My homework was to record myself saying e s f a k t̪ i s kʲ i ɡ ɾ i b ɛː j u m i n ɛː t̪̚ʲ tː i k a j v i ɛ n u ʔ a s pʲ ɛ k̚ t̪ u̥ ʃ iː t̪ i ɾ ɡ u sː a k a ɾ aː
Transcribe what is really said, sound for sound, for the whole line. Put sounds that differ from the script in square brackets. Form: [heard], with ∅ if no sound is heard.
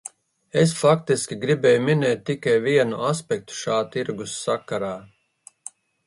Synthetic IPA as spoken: e s f a k t̪ i s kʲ i ɡ ɾ i b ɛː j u m i n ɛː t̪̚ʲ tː i k a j v i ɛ n u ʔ a s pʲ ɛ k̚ t̪ u̥ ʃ [aː] t̪ i ɾ ɡ u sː a k a ɾ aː